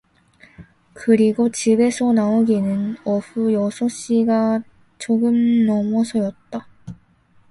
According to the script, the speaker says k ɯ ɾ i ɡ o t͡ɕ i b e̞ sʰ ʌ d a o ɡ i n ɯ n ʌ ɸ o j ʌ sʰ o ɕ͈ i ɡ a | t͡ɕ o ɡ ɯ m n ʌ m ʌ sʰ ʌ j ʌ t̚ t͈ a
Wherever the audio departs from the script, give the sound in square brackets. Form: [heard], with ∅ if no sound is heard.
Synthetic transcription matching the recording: k ɯ ɾ i ɡ o t͡ɕ i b e̞ sʰ ʌ [n] a o ɡ i n ɯ n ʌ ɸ [u] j ʌ sʰ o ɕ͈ i ɡ a | t͡ɕ o ɡ ɯ m n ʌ m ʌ sʰ ʌ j ʌ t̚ t͈ a